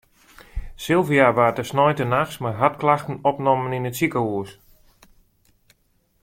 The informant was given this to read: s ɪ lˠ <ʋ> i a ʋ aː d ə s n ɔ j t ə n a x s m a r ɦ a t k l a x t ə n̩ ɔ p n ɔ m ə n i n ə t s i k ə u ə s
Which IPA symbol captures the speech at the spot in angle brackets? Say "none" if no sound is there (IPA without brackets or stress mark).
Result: v